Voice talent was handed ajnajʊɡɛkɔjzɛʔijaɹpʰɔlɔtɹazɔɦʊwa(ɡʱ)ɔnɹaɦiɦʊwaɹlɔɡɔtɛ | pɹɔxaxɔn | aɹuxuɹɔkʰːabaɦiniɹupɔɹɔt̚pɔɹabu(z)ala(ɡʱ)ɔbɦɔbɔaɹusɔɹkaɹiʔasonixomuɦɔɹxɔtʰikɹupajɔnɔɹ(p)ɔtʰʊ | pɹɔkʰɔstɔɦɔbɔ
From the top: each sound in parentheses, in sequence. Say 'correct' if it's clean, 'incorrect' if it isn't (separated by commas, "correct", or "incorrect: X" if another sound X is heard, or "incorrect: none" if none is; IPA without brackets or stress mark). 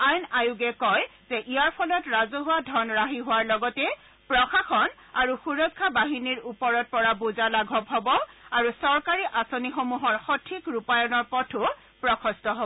incorrect: dʱ, correct, correct, correct